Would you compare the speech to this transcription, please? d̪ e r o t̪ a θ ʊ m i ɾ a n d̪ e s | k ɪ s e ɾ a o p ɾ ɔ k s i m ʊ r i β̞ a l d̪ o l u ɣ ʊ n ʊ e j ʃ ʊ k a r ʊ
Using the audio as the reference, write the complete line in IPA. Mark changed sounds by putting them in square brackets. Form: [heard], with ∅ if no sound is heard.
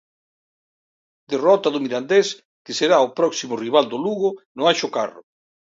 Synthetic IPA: d̪ e r [ɔ] t̪ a [ð] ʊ m i ɾ a n d̪ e s | k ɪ s e ɾ a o p ɾ ɔ k s i m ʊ r i β̞ a l d̪ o l u ɣ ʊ n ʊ [a] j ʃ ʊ k a r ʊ